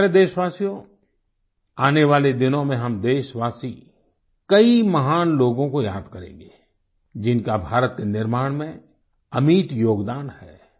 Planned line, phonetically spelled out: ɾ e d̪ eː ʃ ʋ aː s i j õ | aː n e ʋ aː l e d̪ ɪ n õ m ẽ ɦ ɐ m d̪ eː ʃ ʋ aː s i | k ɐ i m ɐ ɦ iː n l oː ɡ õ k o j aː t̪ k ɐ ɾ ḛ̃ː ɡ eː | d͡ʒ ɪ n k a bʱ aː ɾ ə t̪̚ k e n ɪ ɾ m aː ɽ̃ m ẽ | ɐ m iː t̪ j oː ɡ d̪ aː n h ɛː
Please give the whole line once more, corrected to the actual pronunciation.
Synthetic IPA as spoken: ɾ e d̪ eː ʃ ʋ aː s i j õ | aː n e ʋ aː l e d̪ ɪ n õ m ẽ ɦ ɐ m d̪ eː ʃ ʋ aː s i | k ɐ i m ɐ ɦ aː n l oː ɡ õ k o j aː d̪ k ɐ ɾ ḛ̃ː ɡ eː | d͡ʒ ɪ n k a bʱ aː ɾ ə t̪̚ k e n ɪ ɾ m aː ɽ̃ m ẽ | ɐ m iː t̪ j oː ɡ d̪ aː n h ɛː